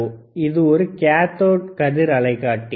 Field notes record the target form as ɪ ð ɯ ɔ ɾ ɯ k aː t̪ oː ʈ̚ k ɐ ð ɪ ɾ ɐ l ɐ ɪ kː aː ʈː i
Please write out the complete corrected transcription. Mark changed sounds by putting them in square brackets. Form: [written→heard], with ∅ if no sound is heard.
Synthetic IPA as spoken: ɪ ð ɯ ɔ ɾ ɯ k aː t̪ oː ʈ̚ k ɐ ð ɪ ɾ ɐ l ɐ ɪ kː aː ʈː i